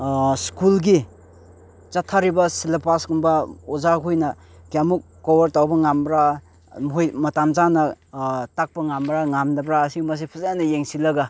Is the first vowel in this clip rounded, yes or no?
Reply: yes